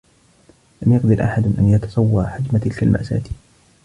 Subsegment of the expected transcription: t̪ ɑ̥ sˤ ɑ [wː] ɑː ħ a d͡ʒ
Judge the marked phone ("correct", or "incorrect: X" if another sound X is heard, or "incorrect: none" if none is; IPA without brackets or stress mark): correct